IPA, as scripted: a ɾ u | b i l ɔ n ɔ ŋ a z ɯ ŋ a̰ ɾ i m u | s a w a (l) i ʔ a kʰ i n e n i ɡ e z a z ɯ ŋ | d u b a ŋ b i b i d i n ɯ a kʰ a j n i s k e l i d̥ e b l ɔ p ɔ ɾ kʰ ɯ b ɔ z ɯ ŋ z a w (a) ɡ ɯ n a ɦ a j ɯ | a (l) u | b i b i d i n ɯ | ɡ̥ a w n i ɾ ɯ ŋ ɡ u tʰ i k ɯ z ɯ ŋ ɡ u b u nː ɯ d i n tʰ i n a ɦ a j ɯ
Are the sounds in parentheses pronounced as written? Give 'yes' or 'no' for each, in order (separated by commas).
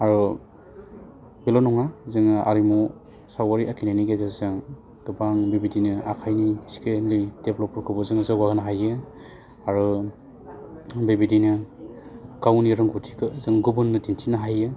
no, yes, no